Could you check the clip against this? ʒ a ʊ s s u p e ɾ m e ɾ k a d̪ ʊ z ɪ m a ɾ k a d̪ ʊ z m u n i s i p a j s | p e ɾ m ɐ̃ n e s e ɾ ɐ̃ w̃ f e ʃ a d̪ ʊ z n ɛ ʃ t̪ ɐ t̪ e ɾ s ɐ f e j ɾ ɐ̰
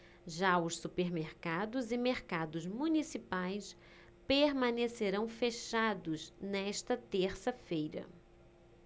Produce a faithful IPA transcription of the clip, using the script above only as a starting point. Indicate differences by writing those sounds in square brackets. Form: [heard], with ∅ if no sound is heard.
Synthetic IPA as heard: ʒ a ʊ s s u p e ɾ m e ɾ k a d̪ ʊ z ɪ m [e] ɾ k a d̪ ʊ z m u n i s i p a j s | p e ɾ m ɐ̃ n e s e ɾ ɐ̃ w̃ f e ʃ a d̪ ʊ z n ɛ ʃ t̪ ɐ t̪ e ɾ s ɐ f e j ɾ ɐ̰